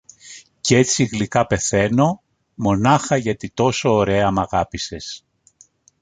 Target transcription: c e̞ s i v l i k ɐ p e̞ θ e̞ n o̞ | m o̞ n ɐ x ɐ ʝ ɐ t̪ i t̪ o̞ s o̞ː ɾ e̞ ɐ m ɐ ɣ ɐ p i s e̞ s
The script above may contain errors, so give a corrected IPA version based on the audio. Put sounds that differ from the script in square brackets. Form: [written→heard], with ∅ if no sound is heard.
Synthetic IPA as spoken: c e̞ [s→t͡s] i [v→ɣ] l i k ɐ p e̞ θ e̞ n o̞ | m o̞ n ɐ x ɐ ʝ ɐ t̪ i t̪ o̞ s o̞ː ɾ e̞ ɐ m ɐ ɣ ɐ p i s e̞ s